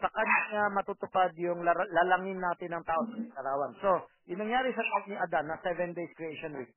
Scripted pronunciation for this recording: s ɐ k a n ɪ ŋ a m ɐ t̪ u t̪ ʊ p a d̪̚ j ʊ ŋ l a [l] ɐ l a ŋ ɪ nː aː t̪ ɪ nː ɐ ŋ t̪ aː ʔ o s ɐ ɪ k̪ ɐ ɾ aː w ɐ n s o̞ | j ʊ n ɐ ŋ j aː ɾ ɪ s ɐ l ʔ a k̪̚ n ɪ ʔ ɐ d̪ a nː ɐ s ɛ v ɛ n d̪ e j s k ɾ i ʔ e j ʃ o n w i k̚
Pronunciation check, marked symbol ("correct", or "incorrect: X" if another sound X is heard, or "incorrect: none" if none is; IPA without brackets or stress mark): correct